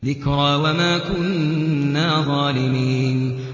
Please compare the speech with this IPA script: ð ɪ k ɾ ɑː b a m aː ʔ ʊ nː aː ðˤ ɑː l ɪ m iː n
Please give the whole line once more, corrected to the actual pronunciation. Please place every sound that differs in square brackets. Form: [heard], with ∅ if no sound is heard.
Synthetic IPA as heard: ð ɪ k ɾ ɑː [w] a m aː [k] ʊ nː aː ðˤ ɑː l ɪ m iː n